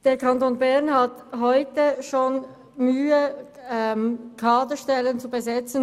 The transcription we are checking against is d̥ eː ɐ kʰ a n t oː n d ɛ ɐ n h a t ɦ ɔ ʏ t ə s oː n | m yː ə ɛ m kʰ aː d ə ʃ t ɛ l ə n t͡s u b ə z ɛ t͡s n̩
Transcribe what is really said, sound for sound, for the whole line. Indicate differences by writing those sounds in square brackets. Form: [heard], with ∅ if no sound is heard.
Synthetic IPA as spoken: d̥ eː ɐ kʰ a n t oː n [b] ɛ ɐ n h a t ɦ ɔ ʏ t ə [ʃ] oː n | m yː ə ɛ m kʰ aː d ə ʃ t ɛ l ə n t͡s u b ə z ɛ t͡s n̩